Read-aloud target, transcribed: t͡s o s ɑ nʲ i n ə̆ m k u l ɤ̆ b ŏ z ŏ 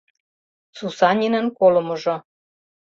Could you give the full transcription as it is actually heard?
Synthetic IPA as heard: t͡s u s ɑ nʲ i n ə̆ n k o l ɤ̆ m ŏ ʒ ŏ